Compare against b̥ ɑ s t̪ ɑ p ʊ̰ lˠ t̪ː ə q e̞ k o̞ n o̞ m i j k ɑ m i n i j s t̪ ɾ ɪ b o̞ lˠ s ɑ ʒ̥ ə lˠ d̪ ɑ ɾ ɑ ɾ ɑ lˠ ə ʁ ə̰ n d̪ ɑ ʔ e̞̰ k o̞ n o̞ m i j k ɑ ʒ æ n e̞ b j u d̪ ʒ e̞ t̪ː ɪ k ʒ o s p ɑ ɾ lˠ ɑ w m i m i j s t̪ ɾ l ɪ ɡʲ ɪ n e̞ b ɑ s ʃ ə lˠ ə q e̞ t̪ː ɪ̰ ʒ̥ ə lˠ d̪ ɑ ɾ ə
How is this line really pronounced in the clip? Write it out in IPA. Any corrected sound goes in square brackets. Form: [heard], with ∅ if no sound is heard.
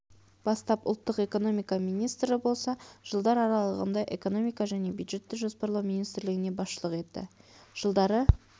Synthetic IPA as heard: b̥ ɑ s t̪ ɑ p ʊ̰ lˠ t̪ː ə q e̞ k o̞ n o̞ m i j k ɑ m i n i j s t̪ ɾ ɪ b o̞ lˠ s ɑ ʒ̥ ə lˠ d̪ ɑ ɾ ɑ ɾ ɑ lˠ ə ʁ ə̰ n d̪ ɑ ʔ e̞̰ k o̞ n o̞ m i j k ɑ ʒ æ n e̞ b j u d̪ ʒ e̞ t̪ː ɪ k ʒ o s p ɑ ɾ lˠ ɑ w m i [n] i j s t̪ ɾ l ɪ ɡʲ ɪ n e̞ b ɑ s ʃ ə lˠ ə q e̞ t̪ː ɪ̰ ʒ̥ ə lˠ d̪ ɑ ɾ ə

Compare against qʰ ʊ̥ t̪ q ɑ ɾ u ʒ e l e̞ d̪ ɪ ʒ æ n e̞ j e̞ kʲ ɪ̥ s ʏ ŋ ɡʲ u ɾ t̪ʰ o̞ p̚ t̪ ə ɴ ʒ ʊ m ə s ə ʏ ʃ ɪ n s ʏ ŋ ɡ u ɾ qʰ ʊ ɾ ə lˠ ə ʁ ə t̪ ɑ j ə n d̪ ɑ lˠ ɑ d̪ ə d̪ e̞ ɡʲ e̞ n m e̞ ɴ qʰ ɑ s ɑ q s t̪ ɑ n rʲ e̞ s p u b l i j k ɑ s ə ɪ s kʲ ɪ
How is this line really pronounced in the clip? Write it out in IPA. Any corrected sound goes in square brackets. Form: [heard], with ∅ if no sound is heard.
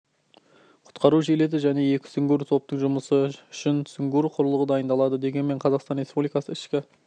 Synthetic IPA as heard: qʰ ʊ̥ t̪ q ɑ ɾ u ʒ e l e̞ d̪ ɪ ʒ æ n e̞ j e̞ kʲ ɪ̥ s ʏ ŋ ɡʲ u ɾ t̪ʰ o̞ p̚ t̪ ə ɴ ʒ ʊ m ə s ə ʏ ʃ ɪ n s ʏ ŋ ɡ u ɾ qʰ ʊ ɾ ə lˠ ə ʁ ə [d̪] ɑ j ə n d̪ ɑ lˠ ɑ d̪ ə d̪ e̞ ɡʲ e̞ n m e̞ ɴ qʰ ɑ [z] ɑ q s t̪ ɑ n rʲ e̞ s p u b l i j k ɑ s ə ɪ [ʃ] kʲ ɪ

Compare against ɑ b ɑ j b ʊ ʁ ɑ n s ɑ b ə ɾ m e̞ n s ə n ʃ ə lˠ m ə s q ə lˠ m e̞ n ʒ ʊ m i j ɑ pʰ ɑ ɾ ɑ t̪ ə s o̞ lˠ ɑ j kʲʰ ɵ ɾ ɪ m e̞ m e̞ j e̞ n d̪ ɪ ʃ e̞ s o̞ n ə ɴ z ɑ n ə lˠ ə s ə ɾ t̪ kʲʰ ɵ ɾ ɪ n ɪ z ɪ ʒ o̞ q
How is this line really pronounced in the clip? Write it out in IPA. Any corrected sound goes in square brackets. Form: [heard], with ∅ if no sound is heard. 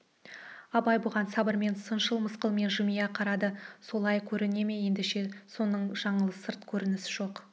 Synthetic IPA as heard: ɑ b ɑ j b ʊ ʁ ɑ n s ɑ b ə ɾ m e̞ n s ə n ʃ ə lˠ m ə s q ə lˠ m e̞ n ʒ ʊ m i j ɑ [qʰ] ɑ ɾ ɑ [d̪] ə s o̞ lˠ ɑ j kʲʰ ɵ ɾ ɪ [n] e̞ m e̞ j e̞ n d̪ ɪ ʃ e̞ s o̞ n ə ɴ [ʒ] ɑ [ɴ] ə lˠ ə s ə ɾ t̪ kʲʰ ɵ ɾ ɪ n ɪ [s] ɪ ʒ o̞ q

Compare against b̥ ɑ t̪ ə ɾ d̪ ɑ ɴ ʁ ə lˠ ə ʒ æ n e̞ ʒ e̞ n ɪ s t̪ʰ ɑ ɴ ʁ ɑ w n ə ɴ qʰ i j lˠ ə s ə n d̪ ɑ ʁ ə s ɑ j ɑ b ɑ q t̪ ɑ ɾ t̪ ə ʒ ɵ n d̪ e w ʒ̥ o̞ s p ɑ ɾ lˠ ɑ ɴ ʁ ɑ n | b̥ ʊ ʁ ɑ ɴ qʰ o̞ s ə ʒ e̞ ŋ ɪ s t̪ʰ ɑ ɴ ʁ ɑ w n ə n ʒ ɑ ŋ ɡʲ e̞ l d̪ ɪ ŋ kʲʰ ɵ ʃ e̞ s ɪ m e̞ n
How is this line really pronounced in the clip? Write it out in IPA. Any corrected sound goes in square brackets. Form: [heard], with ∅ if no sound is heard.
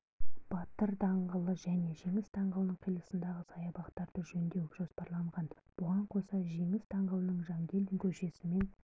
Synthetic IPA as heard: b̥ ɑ t̪ ə ɾ d̪ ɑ ɴ ʁ ə lˠ ə ʒ æ n e̞ ʒ e̞ [ŋ] ɪ s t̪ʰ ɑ ɴ ʁ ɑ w n ə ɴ qʰ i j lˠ ə s ə n d̪ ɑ ʁ ə s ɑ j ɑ b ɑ q t̪ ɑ ɾ [d̪] ə ʒ ɵ n d̪ e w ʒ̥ o̞ s p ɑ ɾ lˠ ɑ ɴ ʁ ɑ n | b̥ ʊ ʁ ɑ ɴ qʰ o̞ s [ɑ] ʒ e̞ ŋ ɪ s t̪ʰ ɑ ɴ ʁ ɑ w n ə [ɴ] ʒ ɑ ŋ ɡʲ e̞ l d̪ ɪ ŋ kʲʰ ɵ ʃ e̞ s ɪ m e̞ n

